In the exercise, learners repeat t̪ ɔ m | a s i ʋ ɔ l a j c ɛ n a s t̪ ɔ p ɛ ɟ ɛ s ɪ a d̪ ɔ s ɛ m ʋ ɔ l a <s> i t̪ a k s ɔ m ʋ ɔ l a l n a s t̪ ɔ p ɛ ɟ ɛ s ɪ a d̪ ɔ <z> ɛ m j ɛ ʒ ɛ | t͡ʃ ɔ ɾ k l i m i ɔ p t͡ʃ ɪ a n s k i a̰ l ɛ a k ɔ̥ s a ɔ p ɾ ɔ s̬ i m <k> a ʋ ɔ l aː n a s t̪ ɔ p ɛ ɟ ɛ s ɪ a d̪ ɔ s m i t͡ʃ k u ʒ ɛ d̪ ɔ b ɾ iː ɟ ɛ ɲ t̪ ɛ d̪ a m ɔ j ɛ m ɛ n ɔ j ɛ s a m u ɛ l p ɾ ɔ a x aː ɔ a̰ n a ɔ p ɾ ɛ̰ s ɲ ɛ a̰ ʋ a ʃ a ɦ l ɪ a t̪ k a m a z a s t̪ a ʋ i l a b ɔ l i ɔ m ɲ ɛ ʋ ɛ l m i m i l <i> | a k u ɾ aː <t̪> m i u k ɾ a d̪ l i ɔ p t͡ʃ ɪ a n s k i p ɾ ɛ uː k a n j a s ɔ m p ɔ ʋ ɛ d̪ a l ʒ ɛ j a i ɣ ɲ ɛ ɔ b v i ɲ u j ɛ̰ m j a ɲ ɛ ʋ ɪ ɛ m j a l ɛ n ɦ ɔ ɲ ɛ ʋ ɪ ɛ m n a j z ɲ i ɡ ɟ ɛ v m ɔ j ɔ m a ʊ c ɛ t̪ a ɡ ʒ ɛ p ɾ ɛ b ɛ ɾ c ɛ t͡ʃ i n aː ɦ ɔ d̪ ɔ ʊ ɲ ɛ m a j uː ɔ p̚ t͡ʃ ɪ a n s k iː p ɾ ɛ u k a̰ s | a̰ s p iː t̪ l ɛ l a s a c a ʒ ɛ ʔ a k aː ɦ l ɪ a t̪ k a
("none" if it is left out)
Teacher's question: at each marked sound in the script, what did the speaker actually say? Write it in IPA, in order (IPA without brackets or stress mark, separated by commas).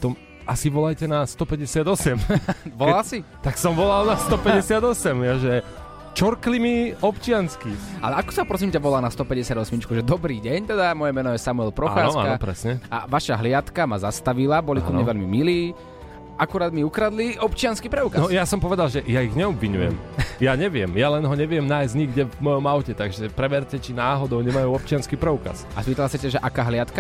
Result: s, s, c, iː, d̪